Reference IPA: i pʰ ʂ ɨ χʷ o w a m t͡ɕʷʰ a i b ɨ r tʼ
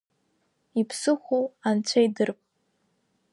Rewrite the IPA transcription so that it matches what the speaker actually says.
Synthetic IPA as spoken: i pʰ s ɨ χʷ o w a n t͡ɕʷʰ a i d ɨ r pʼ